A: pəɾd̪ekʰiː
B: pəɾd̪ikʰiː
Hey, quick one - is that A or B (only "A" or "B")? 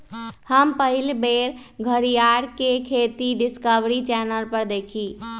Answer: A